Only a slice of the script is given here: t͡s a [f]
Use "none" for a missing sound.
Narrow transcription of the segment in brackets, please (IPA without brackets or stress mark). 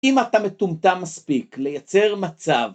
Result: v